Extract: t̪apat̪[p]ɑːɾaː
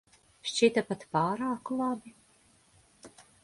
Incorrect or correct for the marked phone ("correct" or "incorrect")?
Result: correct